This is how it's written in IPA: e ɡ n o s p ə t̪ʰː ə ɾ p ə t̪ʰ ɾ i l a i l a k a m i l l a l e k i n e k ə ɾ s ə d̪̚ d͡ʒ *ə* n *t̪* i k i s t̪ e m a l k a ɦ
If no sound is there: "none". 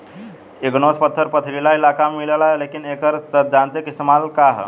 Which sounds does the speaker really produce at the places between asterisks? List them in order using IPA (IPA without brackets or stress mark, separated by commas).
a, t̪